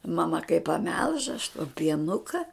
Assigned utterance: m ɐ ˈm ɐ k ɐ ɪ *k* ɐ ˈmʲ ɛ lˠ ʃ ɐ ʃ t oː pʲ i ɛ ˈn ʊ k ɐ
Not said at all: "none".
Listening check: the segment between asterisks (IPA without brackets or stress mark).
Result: p